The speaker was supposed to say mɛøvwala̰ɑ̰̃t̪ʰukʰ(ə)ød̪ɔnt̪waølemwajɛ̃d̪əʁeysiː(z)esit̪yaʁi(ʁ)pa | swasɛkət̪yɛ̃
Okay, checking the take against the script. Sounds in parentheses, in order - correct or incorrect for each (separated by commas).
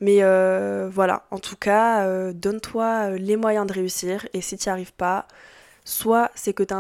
incorrect, incorrect, incorrect